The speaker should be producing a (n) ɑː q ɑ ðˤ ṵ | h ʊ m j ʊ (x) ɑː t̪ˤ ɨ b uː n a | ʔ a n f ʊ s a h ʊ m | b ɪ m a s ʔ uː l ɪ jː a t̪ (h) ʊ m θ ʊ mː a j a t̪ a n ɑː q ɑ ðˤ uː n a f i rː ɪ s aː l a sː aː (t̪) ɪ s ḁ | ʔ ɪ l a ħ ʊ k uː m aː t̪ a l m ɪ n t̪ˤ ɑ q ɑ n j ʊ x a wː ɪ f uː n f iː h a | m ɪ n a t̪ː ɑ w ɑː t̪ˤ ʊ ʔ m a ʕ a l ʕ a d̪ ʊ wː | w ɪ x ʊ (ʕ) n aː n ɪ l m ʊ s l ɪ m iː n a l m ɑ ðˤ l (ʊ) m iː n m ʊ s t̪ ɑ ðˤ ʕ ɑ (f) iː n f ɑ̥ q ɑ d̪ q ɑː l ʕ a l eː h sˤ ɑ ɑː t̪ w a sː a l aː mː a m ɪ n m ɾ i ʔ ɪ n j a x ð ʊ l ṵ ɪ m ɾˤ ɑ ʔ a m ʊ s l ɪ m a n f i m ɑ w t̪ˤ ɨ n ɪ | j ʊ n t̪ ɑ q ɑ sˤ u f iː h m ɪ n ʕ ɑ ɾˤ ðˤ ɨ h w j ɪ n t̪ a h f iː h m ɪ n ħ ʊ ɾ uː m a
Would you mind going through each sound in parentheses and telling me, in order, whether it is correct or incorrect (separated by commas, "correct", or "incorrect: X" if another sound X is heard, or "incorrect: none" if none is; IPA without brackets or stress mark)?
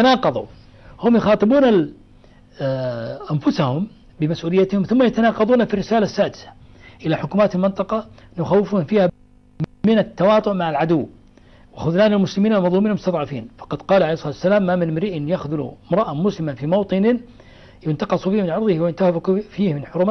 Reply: correct, correct, correct, incorrect: d̪, incorrect: ð, incorrect: u, correct